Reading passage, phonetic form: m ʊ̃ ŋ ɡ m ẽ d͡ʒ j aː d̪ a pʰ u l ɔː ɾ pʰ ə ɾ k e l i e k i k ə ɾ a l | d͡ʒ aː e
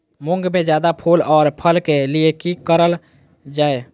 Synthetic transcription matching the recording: m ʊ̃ ŋ ɡ m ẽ d͡ʒ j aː d̪ a pʰ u l ɔː ɾ pʰ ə l k e l i e k i k ə ɾ ə l | d͡ʒ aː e

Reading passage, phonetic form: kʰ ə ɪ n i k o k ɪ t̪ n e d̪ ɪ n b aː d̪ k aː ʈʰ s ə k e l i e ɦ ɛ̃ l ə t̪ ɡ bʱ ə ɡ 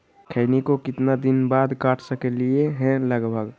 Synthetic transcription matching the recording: kʰ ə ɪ n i k o k ɪ t̪ n a d̪ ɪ n b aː d̪ k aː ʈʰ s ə k e l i e ɦ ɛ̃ l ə ɡ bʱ ə ɡ

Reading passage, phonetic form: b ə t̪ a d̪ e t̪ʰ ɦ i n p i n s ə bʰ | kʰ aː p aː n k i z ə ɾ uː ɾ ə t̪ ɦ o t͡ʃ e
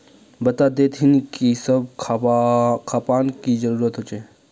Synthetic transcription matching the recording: b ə t̪ a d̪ e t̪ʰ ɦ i n k i s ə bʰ | kʰ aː p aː n k i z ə ɾ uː ɾ ə t̪ ɦ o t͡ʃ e

